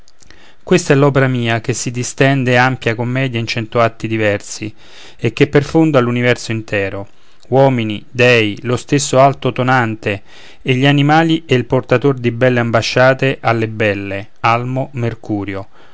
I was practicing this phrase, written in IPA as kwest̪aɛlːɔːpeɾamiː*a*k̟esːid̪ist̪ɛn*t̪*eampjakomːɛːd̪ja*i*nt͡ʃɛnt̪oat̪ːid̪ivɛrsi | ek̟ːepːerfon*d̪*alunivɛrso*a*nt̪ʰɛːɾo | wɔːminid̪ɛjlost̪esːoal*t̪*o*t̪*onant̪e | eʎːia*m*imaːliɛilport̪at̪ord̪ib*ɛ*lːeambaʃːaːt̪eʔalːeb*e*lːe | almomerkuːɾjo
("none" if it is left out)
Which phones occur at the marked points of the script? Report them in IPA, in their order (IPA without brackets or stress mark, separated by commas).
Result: a, d̪, i, d̪, i, t̪, t̪, n, ɛ, ɛ